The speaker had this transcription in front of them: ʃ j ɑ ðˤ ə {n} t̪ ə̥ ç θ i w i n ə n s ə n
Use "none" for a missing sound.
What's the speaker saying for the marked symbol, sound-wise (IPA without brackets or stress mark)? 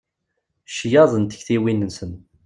n